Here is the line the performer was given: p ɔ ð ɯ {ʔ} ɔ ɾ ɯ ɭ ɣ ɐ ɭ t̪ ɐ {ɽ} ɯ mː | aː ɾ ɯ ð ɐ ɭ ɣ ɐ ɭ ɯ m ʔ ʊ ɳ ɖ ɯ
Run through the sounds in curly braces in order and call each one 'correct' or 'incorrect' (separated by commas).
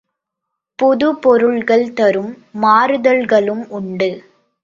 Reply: incorrect, incorrect